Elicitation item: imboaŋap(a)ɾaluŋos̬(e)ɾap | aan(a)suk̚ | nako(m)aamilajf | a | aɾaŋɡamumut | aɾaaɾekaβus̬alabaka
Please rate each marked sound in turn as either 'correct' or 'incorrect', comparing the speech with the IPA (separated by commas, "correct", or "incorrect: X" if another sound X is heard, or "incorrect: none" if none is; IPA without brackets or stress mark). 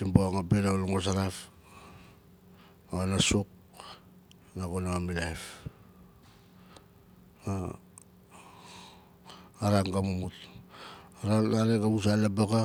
incorrect: e, incorrect: a, correct, incorrect: n